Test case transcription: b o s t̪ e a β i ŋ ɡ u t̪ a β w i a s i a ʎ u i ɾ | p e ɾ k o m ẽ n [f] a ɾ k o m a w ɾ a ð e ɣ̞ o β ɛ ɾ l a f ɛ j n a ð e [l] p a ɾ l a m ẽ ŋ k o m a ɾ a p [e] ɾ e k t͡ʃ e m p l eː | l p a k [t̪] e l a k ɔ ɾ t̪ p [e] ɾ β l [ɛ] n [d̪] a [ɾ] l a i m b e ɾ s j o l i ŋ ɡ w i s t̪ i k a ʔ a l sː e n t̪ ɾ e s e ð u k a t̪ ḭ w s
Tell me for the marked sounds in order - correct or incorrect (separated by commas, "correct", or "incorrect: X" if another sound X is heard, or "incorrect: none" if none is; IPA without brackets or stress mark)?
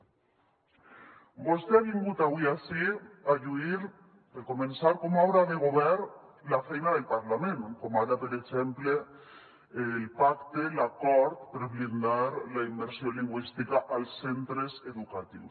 incorrect: s, correct, correct, correct, correct, incorrect: i, correct, correct